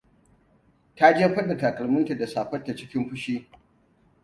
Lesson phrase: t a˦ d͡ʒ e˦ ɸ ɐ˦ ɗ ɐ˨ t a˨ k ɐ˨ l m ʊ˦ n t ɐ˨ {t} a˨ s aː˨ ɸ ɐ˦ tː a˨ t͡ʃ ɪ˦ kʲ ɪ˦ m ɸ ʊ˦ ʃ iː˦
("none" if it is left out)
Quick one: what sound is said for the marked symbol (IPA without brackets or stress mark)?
d